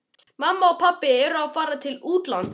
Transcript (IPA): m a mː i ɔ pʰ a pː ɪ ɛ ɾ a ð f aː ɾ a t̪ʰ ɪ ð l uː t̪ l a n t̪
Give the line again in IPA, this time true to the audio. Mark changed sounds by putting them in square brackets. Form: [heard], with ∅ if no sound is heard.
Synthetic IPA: m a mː [a] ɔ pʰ a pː ɪ ɛ ɾ a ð f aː ɾ a t̪ʰ ɪ [∅] l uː t̪ l a n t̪

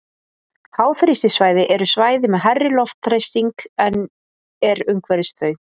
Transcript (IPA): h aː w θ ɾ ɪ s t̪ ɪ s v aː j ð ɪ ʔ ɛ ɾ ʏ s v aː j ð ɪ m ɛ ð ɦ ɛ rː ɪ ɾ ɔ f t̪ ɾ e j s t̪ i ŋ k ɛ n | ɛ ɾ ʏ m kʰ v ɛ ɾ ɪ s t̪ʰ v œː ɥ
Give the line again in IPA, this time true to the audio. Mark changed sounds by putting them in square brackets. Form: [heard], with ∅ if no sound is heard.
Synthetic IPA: h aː w θ ɾ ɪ s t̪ ɪ s v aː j ð ɪ ʔ ɛ ɾ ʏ s v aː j ð ɪ m ɛ ð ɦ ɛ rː ɪ [l] ɔ f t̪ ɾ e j s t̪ i ŋ k ɛ n | ɛ ɾ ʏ m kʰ v ɛ ɾ ɪ s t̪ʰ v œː ɥ

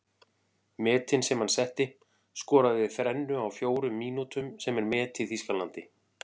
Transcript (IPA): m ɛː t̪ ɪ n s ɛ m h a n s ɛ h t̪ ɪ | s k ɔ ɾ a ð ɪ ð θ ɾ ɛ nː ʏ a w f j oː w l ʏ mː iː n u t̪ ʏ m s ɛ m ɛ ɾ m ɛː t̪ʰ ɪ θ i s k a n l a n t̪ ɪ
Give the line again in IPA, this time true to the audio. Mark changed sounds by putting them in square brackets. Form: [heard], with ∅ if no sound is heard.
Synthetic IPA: m ɛː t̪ ɪ n s ɛ m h a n s ɛ h t̪ ɪ | s k [ɔː] ɾ a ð ɪ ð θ ɾ ɛ nː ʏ a w f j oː w [ɾ] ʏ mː iː n u t̪ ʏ m s ɛ m ɛ ɾ m ɛː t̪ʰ ɪ θ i s k a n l a n t̪ ɪ

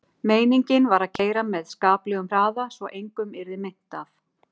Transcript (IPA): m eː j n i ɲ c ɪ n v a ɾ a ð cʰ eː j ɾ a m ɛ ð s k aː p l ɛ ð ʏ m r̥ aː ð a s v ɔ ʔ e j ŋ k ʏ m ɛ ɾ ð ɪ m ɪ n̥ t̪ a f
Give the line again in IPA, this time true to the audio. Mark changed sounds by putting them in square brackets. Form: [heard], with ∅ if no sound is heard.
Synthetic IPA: m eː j n i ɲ c ɪ n v a ɾ a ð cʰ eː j ɾ a m ɛ ð s k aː p l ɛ [ɣ] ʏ m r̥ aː ð a s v ɔ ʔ e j ŋ k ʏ m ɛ ɾ ð ɪ m ɪ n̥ t̪ a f

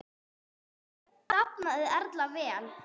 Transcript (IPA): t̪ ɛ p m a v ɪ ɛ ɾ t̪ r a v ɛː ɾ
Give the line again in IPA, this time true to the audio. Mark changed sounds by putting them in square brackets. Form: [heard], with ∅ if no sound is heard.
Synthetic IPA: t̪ [a] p [n] a [ð] ɪ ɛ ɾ t̪ [l] a v ɛː [l]

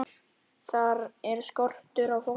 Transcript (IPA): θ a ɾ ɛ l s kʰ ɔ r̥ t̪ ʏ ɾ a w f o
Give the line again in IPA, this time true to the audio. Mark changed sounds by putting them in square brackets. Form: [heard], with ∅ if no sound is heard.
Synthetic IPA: θ a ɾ ɛ [ɾ] s [k] ɔ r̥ t̪ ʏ ɾ a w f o

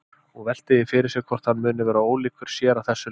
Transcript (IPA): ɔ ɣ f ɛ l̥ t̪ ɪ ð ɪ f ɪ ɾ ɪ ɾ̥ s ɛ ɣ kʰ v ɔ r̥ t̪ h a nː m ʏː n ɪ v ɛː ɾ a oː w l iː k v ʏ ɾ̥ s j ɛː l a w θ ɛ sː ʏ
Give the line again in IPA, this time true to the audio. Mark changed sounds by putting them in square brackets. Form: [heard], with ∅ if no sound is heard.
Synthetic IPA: ɔ ɣ [v] ɛ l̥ t̪ ɪ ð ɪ f ɪ ɾ ɪ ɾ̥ s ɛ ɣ kʰ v ɔ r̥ t̪ h a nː m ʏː n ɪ v ɛː ɾ a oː w l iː k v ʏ ɾ̥ s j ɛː [ɾ] a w θ ɛ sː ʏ

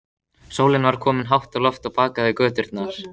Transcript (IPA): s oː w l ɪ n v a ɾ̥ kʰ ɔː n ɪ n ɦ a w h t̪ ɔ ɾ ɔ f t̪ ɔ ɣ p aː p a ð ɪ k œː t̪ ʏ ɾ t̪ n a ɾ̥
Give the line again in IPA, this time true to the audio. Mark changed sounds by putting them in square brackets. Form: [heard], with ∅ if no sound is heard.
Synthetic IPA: s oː w l ɪ n v a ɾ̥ kʰ ɔː [m] ɪ n ɦ a w h t̪ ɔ [l] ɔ f t̪ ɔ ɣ p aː [k] a ð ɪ k œː t̪ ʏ ɾ t̪ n a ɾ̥

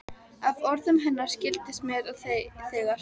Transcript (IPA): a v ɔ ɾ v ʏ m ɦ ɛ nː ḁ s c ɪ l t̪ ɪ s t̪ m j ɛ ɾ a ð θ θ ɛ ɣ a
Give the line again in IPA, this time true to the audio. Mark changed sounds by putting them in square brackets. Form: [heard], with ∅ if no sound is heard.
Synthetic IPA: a v ɔ ɾ [ð] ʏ m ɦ ɛ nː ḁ s c ɪ l t̪ ɪ s t̪ m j ɛ ɾ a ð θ θ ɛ ɣ a

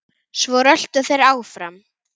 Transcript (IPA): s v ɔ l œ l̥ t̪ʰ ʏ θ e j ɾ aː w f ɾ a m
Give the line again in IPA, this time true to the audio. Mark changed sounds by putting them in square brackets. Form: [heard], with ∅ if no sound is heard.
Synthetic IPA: s v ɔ [ɾ] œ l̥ [t̪] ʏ θ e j ɾ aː w f ɾ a m

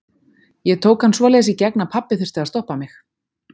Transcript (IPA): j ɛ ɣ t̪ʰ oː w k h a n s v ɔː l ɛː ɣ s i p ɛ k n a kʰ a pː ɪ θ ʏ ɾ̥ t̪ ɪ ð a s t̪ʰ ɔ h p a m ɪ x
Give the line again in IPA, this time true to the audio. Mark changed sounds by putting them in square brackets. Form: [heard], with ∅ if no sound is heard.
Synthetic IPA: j ɛ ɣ t̪ʰ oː w k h a n s v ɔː l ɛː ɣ s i [c] ɛ k n a [pʰ] a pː ɪ θ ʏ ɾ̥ t̪ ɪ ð a s [t̪] ɔ h p a m ɪ x

